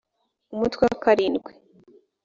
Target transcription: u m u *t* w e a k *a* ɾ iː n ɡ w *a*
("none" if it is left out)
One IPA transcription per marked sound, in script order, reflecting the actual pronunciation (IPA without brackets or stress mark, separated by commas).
t, a, e